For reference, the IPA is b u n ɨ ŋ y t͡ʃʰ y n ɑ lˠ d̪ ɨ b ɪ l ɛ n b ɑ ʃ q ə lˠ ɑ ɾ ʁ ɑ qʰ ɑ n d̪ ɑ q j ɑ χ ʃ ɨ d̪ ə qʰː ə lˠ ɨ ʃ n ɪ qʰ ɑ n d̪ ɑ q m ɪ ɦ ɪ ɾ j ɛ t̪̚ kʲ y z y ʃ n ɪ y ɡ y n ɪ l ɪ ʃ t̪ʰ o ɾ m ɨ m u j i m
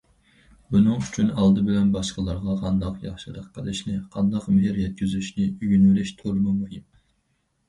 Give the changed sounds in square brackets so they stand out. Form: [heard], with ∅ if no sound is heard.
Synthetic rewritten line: b u n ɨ ŋ y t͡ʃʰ y n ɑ lˠ d̪ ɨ b ɪ l ɛ n b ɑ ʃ q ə lˠ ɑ ɾ ʁ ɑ qʰ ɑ n d̪ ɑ q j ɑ χ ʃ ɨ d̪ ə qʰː ə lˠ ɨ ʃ n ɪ qʰ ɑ n d̪ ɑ q m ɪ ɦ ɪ ɾ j ɛ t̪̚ kʲ y z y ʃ n ɪ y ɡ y n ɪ l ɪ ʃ t̪ʰ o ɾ m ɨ m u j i m